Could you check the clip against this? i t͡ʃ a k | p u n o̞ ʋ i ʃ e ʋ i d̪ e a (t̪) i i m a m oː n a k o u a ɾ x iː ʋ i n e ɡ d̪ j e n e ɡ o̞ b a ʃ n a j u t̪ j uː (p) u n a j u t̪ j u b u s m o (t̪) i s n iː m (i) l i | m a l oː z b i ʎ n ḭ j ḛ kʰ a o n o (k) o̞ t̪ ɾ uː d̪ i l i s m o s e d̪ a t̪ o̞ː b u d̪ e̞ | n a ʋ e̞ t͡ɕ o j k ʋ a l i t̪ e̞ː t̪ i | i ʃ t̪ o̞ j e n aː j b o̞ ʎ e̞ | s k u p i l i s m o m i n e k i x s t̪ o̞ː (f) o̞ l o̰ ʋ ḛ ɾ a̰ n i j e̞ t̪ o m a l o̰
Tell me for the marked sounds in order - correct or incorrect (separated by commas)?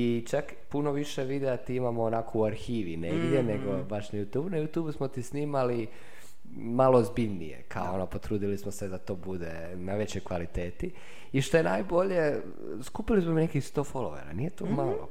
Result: correct, incorrect, correct, incorrect, incorrect, correct